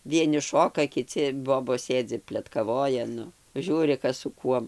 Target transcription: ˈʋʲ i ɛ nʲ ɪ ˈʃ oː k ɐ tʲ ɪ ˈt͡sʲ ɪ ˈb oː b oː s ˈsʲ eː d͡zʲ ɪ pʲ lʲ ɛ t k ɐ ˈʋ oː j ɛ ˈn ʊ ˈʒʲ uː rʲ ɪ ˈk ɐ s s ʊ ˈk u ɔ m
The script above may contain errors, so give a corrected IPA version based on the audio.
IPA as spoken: ˈʋʲ i ɛ nʲ ɪ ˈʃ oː k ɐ kʲ ɪ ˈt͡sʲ ɪ ˈb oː b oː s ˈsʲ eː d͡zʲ ɪ pʲ lʲ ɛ t k ɐ ˈʋ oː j ɛ ˈn ʊ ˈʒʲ uː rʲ ɪ ˈk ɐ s s ʊ ˈk u ɔ m

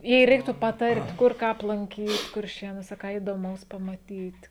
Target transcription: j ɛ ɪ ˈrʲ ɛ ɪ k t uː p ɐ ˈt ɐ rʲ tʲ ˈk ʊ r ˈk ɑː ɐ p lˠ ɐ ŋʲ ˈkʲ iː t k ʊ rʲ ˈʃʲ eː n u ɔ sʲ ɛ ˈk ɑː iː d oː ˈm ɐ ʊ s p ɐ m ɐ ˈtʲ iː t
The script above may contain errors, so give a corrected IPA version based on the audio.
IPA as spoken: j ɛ ɪ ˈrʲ ɛ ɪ k t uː p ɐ ˈt ɐ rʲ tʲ ˈk ʊ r ˈk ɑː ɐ p lˠ ɐ ŋʲ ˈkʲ iː t k ʊ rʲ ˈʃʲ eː n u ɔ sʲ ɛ ˈk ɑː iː d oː ˈm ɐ ʊ s p ɐ m ɐ ˈtʲ iː t

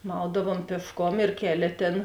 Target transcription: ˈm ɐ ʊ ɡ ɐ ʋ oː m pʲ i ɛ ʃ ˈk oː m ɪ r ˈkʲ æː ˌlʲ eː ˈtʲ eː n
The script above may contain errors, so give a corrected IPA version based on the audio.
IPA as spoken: ˈm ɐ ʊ d ɐ ʋ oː m pʲ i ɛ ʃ ˈk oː m ɪ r ˈkʲ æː ˌlʲ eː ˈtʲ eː n

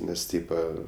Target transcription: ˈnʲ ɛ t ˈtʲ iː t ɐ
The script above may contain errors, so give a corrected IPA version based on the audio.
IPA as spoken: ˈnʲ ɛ s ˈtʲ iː p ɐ

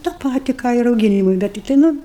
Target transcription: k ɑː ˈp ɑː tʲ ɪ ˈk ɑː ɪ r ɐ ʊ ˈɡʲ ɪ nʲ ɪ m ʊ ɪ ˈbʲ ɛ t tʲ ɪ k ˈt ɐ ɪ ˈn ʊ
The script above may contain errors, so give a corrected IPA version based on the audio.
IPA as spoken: t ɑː ˈp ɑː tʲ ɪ ˈk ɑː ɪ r ɐ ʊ ˈɡʲ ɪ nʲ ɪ m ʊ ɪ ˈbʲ ɛ t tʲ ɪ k ˈt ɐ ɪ ˈn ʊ

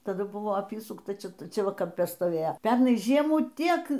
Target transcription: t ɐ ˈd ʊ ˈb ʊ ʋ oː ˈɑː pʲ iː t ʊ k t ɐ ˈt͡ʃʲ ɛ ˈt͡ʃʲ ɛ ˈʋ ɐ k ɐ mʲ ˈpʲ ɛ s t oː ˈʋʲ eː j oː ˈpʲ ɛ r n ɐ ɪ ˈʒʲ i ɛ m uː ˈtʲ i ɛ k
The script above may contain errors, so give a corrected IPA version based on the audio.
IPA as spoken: t ɐ ˈd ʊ ˈb ʊ ʋ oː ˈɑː pʲ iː s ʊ k t ɐ ˈt͡ʃʲ ɛ ˈt͡ʃʲ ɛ ˈʋ ɐ k ɐ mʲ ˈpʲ ɛ s t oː ˈʋʲ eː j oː ˈpʲ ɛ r n ɐ ɪ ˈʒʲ i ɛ m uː ˈtʲ i ɛ k

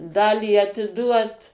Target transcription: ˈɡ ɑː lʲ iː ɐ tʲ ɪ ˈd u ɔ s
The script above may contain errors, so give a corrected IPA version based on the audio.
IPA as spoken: ˈd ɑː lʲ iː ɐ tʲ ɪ ˈd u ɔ t

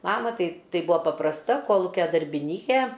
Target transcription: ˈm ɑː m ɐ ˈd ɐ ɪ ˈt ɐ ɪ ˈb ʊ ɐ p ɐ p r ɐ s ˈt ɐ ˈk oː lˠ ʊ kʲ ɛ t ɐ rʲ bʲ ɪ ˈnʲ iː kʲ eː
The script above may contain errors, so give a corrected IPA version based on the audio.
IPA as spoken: ˈm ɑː m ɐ ˈt ɐ ɪ ˈt ɐ ɪ ˈb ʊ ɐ p ɐ p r ɐ s ˈt ɐ ˈk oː lˠ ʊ kʲ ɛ d ɐ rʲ bʲ ɪ ˈnʲ iː kʲ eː

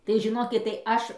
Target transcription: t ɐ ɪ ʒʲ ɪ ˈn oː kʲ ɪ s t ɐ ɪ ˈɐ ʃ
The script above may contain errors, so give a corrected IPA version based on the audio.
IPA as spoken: t ɐ ɪ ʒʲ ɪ ˈn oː kʲ ɪ t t ɐ ɪ ˈɐ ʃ

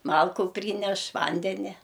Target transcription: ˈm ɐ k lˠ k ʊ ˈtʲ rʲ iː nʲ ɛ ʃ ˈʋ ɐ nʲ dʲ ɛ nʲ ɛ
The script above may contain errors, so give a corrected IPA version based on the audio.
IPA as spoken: ˈm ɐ lˠ k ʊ ˈpʲ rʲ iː nʲ ɛ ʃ ˈʋ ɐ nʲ dʲ ɛ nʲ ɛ

